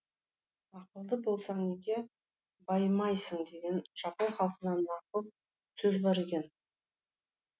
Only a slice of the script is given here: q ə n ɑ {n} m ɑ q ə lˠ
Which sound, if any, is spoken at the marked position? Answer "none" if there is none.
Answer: n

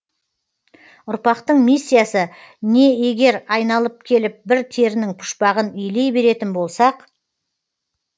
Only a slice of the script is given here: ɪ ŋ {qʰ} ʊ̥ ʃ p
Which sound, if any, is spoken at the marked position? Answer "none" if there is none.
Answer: pʰ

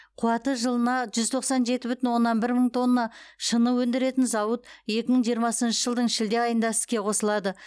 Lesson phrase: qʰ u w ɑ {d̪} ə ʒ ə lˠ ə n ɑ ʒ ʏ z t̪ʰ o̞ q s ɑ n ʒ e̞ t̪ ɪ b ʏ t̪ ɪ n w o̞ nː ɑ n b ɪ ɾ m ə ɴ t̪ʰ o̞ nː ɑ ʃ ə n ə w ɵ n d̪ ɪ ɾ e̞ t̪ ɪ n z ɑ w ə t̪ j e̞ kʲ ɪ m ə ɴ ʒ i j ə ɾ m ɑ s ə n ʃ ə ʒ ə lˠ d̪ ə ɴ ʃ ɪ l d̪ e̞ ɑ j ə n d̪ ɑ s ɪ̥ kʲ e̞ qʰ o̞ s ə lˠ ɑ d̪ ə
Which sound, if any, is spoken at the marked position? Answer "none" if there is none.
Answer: t̪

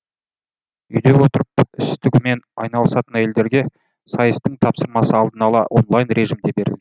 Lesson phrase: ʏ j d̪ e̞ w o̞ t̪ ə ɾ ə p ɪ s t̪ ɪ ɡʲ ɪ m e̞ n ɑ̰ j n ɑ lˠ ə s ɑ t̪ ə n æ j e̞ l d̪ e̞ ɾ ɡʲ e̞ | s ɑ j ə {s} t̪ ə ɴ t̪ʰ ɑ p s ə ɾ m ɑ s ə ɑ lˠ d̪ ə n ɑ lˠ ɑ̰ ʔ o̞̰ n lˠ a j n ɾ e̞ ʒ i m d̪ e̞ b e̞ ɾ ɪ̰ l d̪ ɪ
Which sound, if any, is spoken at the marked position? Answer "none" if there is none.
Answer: s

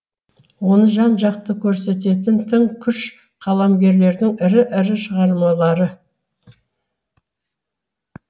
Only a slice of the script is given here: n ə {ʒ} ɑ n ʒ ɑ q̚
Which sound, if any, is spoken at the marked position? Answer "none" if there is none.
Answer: ʒ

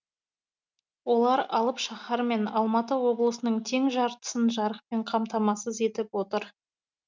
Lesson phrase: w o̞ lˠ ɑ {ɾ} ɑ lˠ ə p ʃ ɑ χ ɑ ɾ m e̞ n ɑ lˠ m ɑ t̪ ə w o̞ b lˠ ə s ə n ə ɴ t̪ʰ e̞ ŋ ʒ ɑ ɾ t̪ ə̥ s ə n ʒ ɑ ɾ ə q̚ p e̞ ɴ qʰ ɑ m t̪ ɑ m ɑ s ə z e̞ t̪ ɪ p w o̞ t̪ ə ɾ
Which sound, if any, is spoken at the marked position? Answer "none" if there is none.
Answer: ɾ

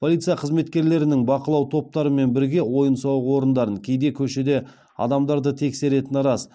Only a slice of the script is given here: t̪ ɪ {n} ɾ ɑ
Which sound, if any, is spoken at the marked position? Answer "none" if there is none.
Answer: n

